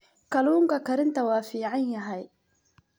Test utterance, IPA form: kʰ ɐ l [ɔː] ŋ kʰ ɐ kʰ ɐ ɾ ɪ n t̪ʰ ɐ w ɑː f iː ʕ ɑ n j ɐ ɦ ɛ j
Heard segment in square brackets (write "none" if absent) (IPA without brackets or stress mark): uː